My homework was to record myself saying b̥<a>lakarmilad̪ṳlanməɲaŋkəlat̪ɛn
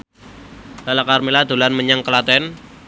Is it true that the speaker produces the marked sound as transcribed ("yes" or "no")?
yes